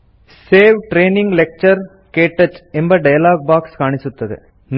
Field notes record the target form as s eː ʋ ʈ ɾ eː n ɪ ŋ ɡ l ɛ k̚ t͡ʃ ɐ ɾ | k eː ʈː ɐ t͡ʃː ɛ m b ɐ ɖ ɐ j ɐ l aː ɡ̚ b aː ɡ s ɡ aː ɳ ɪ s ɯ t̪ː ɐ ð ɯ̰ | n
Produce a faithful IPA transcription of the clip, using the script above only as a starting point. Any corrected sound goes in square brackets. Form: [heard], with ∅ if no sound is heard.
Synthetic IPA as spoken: s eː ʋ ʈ ɾ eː n ɪ ŋ ɡ l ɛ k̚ t͡ʃ ɐ ɾ | k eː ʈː ɐ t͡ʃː ɛ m b ɐ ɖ ɐ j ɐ l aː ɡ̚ b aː [k] s [k] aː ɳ ɪ s ɯ t̪ː ɐ ð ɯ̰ | n

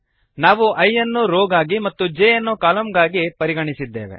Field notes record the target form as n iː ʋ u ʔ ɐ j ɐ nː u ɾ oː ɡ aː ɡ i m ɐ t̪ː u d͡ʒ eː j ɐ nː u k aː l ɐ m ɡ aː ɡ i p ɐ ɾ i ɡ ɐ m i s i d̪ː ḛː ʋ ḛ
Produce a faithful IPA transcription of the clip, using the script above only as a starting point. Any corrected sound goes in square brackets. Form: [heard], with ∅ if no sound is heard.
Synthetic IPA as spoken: n [aː] ʋ u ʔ ɐ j ɐ nː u ɾ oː ɡ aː ɡ i m ɐ t̪ː u d͡ʒ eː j ɐ nː u k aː l ɐ m ɡ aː ɡ i p ɐ ɾ i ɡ ɐ [ɳ] i s i d̪ː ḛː ʋ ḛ

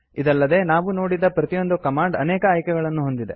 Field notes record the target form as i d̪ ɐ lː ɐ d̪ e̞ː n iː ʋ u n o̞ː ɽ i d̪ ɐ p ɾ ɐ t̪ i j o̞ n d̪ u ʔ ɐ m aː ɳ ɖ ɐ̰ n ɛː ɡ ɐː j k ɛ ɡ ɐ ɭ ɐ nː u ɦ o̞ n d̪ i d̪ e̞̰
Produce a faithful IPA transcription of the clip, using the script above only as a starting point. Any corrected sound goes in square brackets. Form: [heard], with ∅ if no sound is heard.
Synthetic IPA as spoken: i d̪ ɐ lː ɐ d̪ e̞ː n [aː] ʋ u n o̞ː ɽ i d̪ ɐ p ɾ ɐ t̪ i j o̞ n d̪ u [k] ɐ m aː ɳ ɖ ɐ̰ n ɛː [k] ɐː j k ɛ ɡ ɐ ɭ ɐ nː u ɦ o̞ n d̪ i d̪ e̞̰

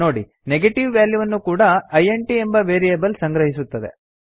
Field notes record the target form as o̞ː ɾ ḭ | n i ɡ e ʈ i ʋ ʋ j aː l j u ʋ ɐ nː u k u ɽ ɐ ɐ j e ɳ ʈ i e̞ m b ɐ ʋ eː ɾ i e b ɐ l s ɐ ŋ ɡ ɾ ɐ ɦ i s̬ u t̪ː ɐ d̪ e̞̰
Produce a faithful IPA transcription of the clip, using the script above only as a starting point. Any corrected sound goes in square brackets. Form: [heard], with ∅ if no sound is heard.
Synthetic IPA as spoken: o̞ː [ɽ] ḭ | n [e] ɡ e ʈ i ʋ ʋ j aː l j u ʋ ɐ nː u k [uː] ɽ ɐ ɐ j e ɳ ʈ i e̞ m b ɐ ʋ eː ɾ i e b ɐ l s ɐ ŋ ɡ ɾ ɐ ɦ i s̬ u t̪ː ɐ d̪ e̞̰

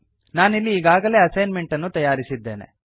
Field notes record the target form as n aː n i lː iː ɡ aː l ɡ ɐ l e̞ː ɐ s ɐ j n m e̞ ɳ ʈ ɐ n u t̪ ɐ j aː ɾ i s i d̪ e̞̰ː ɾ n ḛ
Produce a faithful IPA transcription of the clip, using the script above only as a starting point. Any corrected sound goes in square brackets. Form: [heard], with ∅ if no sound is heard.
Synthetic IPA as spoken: n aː n i lː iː ɡ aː [∅] ɡ ɐ l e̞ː ɐ s ɐ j n m e̞ ɳ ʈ ɐ [nː] u t̪ ɐ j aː ɾ i s i [d̪ː] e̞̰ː [∅] n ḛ

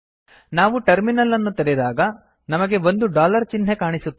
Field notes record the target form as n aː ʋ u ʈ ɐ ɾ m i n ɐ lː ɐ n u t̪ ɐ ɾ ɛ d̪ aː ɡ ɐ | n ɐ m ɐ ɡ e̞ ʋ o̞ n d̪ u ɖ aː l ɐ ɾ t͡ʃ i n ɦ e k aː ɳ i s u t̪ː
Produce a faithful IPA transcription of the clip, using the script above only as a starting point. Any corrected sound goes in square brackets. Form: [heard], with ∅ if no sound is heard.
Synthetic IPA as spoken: n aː ʋ u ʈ ɐ ɾ m i n ɐ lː ɐ [nː] u t̪ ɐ ɾ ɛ d̪ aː ɡ ɐ | n ɐ m ɐ ɡ e̞ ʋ o̞ n d̪ u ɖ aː l ɐ ɾ t͡ʃ i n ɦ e k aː ɳ i s u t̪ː

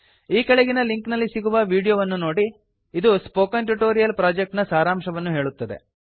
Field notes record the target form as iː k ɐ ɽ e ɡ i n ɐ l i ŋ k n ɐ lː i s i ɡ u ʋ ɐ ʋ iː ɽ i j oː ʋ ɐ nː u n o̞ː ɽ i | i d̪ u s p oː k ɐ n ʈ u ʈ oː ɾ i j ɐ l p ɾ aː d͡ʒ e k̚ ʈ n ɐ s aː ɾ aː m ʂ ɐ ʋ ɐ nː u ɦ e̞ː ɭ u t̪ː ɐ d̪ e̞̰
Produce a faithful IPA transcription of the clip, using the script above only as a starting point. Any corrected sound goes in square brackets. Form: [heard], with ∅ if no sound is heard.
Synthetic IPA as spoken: iː k ɐ [ɭ] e ɡ i n ɐ l i ŋ k n ɐ lː i s i ɡ u ʋ ɐ ʋ iː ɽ i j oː ʋ ɐ nː u n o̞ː ɽ i | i d̪ u s p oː k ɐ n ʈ u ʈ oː ɾ i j ɐ l p ɾ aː d͡ʒ e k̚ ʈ n ɐ s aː ɾ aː m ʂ ɐ ʋ ɐ nː u ɦ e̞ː ɭ u t̪ː ɐ d̪ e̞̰

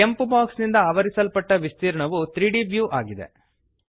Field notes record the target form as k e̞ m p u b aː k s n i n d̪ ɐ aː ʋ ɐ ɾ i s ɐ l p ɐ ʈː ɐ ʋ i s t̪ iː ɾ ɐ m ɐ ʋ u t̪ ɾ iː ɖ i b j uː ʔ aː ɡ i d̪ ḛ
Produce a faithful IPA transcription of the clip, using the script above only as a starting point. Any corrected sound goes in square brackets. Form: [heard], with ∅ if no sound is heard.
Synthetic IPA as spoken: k e̞ m p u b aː k s n i n d̪ ɐ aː ʋ ɐ ɾ i s ɐ l p ɐ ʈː ɐ ʋ i s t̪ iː ɾ ɐ [ɳ] ɐ ʋ u t̪ ɾ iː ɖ i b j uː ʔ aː ɡ i d̪ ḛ

